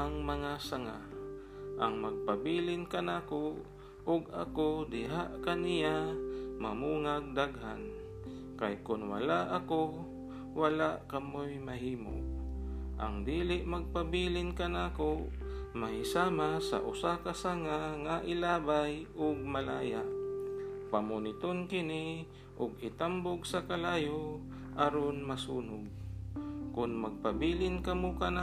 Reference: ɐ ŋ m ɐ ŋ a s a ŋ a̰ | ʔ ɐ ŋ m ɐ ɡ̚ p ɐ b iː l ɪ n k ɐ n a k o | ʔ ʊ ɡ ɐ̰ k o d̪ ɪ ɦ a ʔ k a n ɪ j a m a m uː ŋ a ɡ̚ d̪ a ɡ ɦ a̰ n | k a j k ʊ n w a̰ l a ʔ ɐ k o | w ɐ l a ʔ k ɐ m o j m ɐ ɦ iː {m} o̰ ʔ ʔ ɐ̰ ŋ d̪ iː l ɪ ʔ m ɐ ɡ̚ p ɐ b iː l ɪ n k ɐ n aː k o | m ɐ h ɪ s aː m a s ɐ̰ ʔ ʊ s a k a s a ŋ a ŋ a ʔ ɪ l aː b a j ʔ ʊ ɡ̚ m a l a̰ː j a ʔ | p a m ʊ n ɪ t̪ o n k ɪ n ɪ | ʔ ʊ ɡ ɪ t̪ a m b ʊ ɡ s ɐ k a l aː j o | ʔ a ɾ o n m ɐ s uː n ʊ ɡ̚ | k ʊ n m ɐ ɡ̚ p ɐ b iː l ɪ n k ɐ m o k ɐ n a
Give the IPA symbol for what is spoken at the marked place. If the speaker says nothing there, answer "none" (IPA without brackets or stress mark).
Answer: m